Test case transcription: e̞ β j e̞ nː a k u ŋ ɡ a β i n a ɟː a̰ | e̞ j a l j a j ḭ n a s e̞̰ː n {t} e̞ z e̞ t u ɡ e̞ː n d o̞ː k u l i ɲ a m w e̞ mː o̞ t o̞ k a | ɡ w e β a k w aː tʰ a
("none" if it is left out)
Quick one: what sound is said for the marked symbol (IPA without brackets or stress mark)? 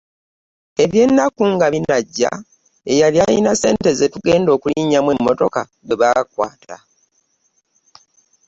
t